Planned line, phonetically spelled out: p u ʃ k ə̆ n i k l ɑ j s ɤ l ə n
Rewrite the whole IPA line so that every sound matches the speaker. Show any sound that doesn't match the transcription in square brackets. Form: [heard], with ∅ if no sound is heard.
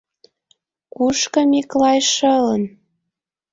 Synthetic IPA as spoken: [k] u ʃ k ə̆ [m] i k l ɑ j [ʃ] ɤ l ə n